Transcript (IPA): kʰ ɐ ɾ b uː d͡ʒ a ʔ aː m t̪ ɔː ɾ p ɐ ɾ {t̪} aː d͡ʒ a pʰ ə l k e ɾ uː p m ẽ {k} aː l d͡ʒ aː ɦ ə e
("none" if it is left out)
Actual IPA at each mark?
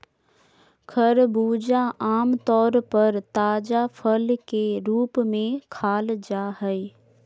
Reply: t̪, kʰ

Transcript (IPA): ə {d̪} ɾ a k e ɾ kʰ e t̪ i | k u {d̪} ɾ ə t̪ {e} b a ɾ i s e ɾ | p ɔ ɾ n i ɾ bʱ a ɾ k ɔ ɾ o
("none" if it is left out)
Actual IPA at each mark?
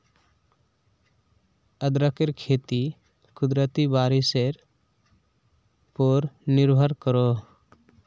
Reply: d̪, d̪, i

